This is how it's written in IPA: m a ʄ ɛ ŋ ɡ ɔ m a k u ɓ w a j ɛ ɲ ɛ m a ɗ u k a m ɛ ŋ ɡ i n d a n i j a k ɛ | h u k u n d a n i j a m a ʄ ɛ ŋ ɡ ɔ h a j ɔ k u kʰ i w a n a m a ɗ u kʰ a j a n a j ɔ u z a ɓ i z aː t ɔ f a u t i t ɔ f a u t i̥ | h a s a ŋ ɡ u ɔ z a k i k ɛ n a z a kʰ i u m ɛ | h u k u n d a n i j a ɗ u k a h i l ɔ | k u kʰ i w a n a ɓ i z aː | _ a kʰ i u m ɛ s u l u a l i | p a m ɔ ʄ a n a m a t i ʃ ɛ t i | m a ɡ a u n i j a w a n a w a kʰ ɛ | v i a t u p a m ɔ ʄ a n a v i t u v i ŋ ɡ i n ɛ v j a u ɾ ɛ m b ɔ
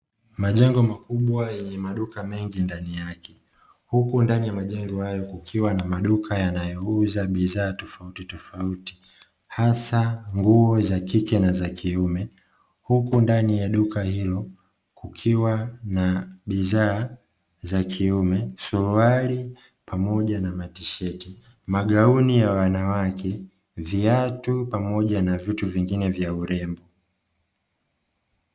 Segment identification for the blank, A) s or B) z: B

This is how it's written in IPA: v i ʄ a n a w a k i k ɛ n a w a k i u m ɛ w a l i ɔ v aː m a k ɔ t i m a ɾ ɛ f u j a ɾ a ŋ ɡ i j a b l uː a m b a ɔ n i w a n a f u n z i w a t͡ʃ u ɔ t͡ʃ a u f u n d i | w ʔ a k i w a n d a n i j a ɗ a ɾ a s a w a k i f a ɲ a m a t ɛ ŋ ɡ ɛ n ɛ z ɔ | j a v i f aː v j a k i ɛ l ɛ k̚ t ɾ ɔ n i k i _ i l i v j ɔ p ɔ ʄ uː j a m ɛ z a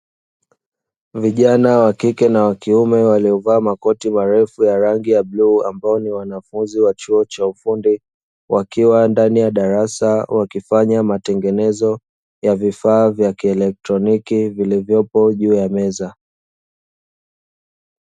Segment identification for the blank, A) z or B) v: B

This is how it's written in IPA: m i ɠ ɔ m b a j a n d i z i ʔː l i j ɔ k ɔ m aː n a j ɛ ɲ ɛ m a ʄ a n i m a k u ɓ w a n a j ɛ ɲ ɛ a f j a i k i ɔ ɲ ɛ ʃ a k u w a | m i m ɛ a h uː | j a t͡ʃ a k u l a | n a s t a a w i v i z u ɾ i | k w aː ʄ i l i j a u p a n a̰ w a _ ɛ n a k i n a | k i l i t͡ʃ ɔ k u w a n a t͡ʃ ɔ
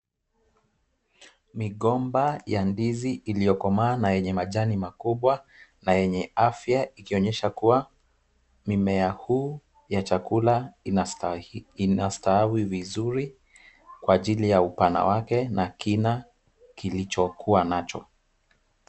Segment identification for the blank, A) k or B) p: A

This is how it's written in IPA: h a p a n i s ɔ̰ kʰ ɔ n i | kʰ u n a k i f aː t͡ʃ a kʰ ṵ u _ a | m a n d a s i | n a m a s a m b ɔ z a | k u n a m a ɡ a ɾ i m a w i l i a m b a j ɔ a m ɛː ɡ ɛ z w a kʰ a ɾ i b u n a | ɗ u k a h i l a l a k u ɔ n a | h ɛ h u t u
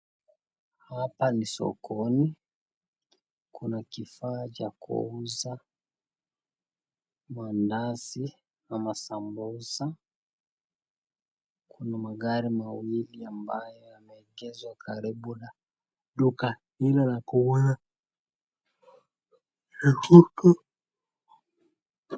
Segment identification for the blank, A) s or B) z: B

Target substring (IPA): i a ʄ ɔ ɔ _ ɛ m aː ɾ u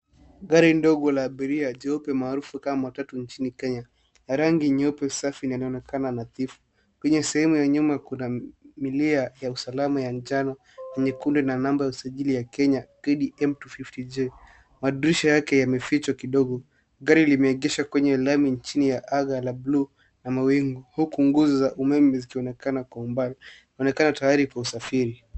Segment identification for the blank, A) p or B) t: A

